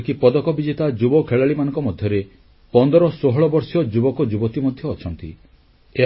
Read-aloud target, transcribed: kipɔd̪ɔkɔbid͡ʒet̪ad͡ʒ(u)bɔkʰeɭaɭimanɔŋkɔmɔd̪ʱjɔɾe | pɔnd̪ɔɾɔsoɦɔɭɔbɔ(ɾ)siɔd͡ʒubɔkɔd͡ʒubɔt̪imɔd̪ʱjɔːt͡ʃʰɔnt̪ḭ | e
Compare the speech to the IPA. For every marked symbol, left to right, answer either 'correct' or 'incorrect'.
correct, correct

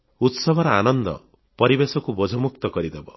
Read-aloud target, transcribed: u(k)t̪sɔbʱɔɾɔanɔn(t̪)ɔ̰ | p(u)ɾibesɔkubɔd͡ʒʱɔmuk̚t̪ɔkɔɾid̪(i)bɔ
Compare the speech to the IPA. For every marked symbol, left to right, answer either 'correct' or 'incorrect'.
incorrect: none, incorrect: d̪, incorrect: ɔ, incorrect: e

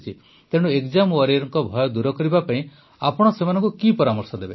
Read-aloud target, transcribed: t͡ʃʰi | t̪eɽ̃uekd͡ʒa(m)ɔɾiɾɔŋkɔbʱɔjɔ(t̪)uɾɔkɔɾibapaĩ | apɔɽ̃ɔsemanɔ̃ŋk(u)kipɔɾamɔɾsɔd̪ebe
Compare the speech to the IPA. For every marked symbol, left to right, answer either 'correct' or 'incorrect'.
correct, incorrect: d̪, correct

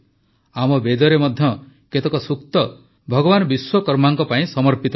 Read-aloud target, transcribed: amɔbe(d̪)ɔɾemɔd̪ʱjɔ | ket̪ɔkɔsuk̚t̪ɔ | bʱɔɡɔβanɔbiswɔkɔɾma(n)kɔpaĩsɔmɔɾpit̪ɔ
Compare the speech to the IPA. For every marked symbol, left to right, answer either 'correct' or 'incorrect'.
correct, incorrect: ŋ

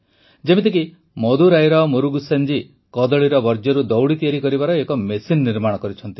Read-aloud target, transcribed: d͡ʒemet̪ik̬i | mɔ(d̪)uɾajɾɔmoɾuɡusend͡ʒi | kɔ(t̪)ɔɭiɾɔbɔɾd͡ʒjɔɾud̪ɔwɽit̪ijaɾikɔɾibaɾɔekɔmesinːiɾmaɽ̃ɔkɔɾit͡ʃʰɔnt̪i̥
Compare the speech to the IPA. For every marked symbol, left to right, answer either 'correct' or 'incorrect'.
correct, incorrect: d̪

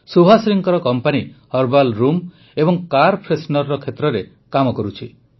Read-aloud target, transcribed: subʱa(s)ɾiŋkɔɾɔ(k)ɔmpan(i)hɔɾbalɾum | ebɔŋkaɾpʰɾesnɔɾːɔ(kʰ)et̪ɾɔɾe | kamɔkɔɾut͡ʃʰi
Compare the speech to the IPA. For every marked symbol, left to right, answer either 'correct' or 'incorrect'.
correct, correct, correct, correct

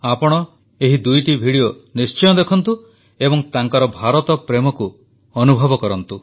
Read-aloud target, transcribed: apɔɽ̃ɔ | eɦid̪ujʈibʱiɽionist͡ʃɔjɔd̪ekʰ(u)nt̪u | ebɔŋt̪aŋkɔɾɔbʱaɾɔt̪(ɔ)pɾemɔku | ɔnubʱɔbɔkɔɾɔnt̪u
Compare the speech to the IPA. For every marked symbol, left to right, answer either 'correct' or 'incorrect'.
incorrect: ɔ, correct

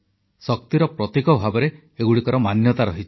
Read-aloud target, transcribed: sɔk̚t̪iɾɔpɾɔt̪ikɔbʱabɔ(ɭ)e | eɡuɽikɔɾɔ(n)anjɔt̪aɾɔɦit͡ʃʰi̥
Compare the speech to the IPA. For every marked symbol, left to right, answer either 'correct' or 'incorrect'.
incorrect: ɾ, incorrect: m

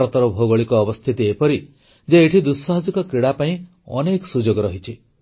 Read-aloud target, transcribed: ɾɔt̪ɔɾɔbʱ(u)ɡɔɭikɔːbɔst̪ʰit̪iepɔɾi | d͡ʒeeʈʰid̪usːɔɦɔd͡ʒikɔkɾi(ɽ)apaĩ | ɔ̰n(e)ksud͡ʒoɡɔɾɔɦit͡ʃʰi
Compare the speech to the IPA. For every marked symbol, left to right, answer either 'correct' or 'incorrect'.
incorrect: o, correct, correct

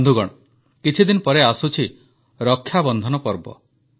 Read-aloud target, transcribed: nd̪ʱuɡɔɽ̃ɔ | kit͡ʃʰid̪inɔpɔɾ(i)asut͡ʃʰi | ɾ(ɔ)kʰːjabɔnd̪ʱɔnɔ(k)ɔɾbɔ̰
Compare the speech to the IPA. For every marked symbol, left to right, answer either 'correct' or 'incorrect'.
incorrect: e, correct, incorrect: p

